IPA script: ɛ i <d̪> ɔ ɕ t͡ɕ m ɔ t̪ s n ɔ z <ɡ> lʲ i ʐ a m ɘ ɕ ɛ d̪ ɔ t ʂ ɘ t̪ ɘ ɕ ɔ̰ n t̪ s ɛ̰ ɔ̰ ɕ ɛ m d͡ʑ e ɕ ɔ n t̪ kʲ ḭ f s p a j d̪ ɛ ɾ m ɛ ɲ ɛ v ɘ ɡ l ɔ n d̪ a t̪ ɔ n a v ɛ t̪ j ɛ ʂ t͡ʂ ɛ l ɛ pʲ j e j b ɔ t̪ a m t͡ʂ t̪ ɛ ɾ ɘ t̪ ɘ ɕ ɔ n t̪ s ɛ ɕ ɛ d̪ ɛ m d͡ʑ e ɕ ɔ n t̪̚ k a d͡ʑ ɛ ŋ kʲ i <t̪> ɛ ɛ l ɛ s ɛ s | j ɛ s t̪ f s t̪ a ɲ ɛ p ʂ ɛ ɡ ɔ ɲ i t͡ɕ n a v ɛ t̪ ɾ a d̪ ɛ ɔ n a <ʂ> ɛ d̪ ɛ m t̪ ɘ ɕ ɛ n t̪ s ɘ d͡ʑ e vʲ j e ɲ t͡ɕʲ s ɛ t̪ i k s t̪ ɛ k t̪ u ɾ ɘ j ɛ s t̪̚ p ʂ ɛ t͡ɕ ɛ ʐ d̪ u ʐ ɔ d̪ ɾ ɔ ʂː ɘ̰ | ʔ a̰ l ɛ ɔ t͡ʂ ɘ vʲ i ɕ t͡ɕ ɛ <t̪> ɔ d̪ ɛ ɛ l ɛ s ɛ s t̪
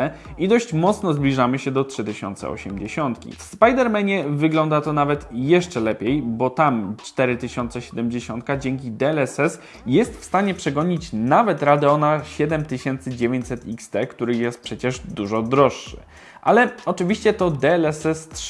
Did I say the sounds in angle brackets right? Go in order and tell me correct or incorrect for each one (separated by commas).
correct, incorrect, incorrect, incorrect, correct